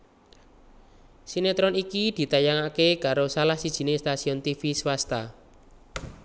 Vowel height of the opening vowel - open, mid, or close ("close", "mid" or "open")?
close